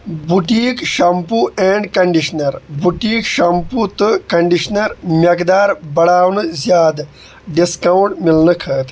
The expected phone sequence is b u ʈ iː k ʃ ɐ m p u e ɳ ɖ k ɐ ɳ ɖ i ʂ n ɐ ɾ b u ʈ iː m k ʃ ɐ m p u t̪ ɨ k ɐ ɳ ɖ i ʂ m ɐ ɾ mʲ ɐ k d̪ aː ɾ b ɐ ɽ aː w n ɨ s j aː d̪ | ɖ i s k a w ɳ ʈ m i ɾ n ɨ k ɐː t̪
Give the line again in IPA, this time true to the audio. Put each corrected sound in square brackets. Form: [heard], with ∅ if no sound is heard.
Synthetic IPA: b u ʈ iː k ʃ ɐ m p u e ɳ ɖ k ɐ ɳ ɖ i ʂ n ɐ ɾ b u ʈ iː [∅] k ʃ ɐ m p u t̪ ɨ k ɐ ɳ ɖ i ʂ [n] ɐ ɾ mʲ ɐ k d̪ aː ɾ b ɐ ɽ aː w n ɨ [z] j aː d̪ | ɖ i s k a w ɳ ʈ m i [l] n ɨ [kʰ] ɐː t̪